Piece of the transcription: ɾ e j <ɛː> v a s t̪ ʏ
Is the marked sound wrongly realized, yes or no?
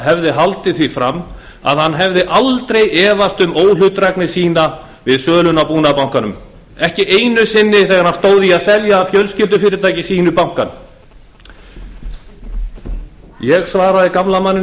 no